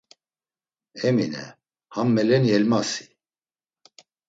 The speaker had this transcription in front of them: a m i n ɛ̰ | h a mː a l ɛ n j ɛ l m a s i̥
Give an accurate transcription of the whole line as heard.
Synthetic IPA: ɛ m i n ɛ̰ | h a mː ɛ l ɛ n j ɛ l m a s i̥